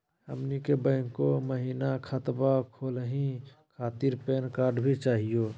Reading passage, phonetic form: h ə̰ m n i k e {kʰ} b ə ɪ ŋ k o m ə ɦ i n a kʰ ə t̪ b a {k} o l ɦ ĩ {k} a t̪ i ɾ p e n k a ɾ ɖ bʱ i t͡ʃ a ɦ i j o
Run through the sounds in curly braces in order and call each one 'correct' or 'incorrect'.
incorrect: none, incorrect: kʰ, incorrect: kʰ

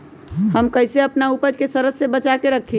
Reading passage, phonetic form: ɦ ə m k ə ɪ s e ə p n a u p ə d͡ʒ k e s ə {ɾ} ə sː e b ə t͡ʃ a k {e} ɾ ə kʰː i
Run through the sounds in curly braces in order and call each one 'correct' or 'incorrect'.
correct, correct

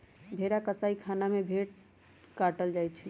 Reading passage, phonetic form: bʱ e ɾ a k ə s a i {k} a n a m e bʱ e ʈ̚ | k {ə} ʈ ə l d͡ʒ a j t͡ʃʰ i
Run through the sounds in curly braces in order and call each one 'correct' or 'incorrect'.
incorrect: kʰ, incorrect: a

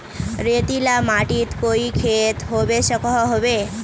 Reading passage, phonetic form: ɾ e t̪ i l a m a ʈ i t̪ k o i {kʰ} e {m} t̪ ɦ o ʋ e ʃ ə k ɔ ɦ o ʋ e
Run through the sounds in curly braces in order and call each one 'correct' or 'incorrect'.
correct, incorrect: none

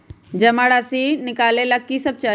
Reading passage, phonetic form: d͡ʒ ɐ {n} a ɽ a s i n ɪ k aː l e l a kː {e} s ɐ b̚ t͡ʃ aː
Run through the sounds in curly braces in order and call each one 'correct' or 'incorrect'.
incorrect: m, incorrect: i

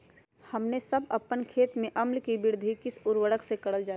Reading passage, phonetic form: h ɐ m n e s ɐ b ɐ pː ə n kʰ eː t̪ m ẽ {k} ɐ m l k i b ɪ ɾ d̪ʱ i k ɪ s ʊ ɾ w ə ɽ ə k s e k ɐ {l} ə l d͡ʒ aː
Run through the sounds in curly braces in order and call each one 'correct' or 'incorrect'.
incorrect: ʔ, incorrect: ɽ

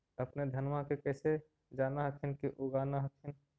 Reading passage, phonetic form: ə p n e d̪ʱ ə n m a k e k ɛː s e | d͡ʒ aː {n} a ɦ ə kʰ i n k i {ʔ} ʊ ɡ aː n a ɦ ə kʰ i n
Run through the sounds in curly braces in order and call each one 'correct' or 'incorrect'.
correct, correct

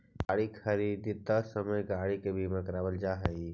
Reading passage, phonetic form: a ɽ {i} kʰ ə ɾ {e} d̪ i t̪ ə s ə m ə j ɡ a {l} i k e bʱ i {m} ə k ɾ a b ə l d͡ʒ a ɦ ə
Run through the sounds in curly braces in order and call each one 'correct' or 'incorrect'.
correct, incorrect: i, incorrect: ɽ, correct

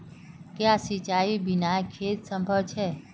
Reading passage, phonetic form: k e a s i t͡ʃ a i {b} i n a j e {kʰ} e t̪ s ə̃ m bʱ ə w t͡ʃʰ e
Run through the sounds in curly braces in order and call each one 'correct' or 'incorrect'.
correct, correct

